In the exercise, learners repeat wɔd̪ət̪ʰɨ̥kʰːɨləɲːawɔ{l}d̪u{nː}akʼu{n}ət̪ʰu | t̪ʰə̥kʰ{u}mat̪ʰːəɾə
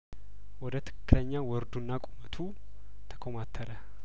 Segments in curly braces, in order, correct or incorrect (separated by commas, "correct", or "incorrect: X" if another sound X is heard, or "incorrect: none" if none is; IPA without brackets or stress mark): incorrect: ɾ, correct, incorrect: m, incorrect: o